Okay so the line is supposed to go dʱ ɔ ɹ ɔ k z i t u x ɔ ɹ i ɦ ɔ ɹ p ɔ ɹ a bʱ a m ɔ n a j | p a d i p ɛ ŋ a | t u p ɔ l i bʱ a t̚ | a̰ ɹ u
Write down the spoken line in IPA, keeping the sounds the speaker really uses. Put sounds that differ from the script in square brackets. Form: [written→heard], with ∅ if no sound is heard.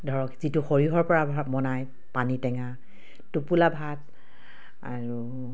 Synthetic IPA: dʱ ɔ ɹ ɔ k z i t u x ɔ ɹ i ɦ ɔ ɹ p ɔ ɹ a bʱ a m ɔ n a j | p a [d→n] i [p→t] ɛ ŋ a | t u p [ɔ→u] l [i→a] bʱ a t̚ | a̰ ɹ u